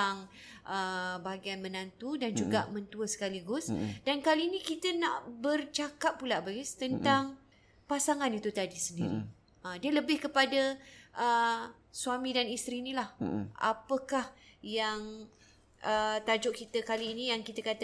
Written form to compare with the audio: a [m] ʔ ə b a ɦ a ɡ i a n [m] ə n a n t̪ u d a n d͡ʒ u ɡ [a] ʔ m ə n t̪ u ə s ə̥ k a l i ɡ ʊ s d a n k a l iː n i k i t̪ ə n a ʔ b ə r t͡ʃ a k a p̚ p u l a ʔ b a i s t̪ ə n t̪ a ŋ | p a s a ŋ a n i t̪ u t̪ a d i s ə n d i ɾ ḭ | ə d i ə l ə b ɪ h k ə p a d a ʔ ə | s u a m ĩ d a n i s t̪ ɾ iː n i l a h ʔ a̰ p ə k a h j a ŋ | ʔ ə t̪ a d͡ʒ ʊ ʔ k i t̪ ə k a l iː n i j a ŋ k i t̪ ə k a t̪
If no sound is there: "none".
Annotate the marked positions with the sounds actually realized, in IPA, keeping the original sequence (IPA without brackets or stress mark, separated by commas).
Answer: ŋ, m, a